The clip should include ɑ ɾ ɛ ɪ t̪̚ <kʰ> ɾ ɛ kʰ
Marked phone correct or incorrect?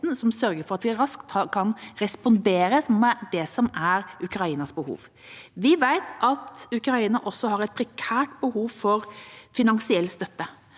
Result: incorrect: pʰ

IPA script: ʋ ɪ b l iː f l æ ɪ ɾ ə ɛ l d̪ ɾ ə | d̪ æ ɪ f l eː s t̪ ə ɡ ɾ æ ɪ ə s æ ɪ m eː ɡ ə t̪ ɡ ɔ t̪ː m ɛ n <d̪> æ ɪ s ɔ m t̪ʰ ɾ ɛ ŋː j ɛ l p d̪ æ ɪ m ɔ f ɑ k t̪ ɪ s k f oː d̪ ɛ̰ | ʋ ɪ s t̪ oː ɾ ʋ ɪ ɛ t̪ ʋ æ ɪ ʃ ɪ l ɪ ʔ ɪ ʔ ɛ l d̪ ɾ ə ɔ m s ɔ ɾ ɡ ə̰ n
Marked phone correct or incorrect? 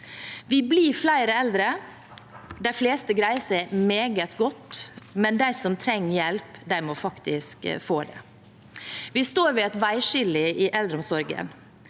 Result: correct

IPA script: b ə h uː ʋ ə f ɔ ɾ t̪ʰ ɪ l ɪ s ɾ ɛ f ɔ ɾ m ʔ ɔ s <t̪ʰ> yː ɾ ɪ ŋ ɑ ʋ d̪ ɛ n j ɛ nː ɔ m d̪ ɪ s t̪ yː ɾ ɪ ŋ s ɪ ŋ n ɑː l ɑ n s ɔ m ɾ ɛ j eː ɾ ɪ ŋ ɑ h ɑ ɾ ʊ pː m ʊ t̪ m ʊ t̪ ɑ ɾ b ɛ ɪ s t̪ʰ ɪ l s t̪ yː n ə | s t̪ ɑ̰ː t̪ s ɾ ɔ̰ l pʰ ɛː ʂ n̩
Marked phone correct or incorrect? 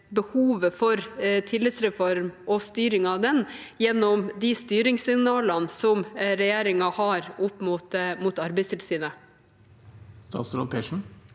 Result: incorrect: t̪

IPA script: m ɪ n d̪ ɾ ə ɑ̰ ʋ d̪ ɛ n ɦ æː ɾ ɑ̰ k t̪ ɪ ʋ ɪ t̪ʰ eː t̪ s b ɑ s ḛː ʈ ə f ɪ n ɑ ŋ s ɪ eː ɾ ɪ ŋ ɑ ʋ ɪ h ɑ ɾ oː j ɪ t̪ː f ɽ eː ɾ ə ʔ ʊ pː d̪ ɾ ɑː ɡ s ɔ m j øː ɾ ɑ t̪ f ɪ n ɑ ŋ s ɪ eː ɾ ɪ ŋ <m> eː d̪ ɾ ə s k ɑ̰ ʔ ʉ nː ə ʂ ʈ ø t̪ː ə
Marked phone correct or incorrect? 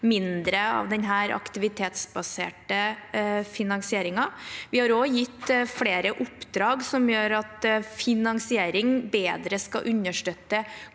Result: incorrect: b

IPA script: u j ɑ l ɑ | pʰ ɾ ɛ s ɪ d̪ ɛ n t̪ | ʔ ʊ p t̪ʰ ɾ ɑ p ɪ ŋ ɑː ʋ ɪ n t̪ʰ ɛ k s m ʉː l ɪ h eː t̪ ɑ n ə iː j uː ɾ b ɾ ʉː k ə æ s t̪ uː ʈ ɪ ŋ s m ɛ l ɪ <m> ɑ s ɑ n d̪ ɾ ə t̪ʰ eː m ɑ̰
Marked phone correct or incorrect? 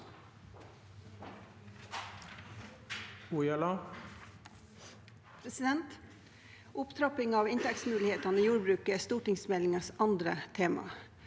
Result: incorrect: ŋ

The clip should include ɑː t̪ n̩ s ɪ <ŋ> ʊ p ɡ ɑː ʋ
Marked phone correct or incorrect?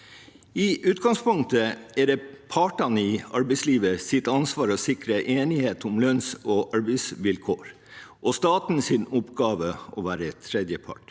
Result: incorrect: n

